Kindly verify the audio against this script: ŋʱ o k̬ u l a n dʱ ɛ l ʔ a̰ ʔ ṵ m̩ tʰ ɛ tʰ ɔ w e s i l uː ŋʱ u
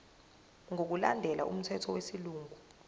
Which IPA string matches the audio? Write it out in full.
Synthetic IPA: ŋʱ o k̬ u l a n dʱ ɛ l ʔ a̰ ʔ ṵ m̩ tʰ ɛ tʰ ɔ w e s i l uː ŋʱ u

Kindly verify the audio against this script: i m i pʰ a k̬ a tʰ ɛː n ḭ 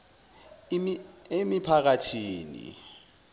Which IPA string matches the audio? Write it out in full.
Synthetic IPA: e m i pʰ a k̬ a tʰ iː n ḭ

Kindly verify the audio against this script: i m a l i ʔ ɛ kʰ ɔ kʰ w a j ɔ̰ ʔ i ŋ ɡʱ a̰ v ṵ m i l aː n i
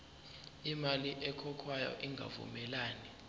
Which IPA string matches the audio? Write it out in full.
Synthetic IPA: i m a l i ʔ ɛ kʰ ɔ kʰ w a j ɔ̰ ʔ i ŋ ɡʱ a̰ v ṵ m ɛ l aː n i

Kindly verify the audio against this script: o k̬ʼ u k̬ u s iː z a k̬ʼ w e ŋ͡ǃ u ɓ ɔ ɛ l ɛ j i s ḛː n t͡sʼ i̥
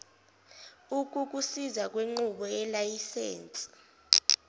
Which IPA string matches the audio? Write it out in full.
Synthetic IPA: u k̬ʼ u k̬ u s i z a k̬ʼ w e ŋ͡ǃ u ɓ ɔ ɛ l a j i s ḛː n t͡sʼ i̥

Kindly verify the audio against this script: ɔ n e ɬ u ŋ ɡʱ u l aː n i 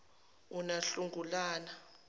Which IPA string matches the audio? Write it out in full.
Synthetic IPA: u n a ɬ u ŋ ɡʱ u l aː n a

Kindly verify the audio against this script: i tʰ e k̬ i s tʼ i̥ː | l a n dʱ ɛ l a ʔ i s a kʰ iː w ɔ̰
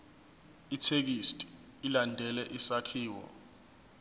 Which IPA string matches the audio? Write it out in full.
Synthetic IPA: i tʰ e k̬ i s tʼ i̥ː | l a n dʱ ɛ l ɛ ʔ i s a kʰ iː w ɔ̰

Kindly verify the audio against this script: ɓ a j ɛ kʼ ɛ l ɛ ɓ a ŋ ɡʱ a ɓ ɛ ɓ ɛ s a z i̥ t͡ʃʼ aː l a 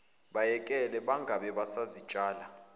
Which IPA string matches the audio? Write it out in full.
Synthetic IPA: ɓ a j ɛ kʼ ɛ l ɛ ɓ a ŋ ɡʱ a ɓ ɛ ɓ a s a z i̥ t͡ʃʼ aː l a

